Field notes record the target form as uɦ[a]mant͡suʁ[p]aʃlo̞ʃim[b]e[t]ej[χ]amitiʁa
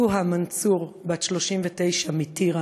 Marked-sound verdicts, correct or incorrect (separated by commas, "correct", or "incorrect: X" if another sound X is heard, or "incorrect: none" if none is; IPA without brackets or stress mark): correct, incorrect: b, incorrect: v, correct, incorrect: ʃ